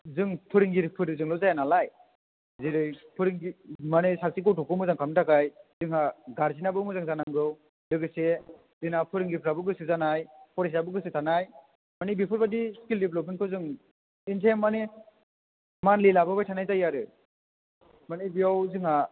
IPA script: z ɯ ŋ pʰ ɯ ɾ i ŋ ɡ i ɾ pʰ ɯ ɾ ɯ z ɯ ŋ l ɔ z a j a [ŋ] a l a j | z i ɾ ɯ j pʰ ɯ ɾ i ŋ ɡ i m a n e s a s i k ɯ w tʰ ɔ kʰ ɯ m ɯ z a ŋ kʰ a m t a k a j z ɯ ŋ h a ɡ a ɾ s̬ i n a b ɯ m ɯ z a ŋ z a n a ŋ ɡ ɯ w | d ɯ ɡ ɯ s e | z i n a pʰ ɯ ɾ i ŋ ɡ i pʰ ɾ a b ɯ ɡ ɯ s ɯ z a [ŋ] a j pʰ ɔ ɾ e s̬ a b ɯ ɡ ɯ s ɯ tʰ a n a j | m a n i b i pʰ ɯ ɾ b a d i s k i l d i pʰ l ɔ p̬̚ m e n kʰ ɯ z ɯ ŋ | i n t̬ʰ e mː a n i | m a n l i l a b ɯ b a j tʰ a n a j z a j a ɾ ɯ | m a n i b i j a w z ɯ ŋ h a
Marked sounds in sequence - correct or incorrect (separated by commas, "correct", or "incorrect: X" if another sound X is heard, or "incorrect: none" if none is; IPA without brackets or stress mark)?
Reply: incorrect: n, incorrect: n